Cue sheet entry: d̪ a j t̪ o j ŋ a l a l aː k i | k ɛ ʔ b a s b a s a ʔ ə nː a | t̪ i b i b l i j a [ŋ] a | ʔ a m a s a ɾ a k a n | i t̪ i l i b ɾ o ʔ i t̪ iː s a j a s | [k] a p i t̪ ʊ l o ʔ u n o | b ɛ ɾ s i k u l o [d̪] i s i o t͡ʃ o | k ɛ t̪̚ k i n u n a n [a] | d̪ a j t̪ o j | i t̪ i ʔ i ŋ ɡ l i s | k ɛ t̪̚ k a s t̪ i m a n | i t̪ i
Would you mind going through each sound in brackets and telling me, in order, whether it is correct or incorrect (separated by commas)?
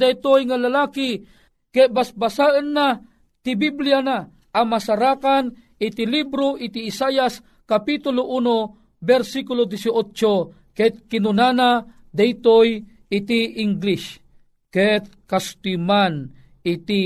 incorrect, correct, correct, correct